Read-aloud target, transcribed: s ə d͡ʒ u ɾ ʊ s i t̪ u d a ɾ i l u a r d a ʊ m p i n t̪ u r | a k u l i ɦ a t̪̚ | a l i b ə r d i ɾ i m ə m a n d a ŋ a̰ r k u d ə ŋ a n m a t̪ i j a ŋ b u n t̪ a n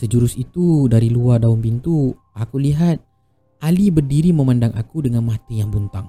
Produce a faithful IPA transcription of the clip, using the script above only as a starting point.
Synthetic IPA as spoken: s ə d͡ʒ u ɾ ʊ s i t̪ u d a ɾ i l u a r d a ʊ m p i n t̪ u | a k u l i ɦ a t̪̚ | a l i b ə r d i ɾ i m ə m a n d a ŋ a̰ k u d ə ŋ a n m a t̪ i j a ŋ b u n t̪ a ŋ